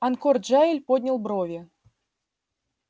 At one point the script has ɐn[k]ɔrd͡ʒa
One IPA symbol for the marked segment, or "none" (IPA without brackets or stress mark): k